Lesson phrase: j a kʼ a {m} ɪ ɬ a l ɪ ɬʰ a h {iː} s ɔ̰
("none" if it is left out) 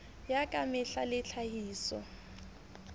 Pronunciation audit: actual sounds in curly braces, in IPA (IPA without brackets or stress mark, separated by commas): m, iː